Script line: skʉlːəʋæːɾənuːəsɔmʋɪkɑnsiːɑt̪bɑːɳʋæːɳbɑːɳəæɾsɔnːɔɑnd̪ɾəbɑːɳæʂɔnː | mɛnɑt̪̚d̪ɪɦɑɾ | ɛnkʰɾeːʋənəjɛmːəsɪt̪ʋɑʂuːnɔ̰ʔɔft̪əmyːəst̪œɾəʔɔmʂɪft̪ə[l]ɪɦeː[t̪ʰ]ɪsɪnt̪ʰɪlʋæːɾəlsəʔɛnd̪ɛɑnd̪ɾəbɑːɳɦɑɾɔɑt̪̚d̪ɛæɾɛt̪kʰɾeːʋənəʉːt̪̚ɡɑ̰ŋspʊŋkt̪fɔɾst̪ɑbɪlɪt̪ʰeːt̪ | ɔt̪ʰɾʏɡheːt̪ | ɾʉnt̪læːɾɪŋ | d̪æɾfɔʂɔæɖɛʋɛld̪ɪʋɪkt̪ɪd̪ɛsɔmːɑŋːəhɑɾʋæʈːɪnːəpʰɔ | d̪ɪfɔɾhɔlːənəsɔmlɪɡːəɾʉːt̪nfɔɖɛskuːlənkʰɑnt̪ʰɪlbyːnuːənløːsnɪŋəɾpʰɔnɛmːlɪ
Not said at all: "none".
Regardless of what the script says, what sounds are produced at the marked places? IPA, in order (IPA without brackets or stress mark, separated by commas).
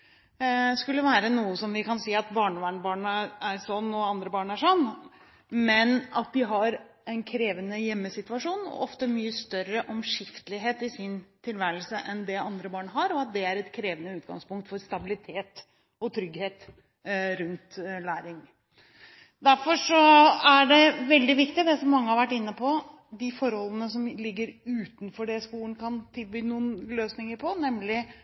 l, t̪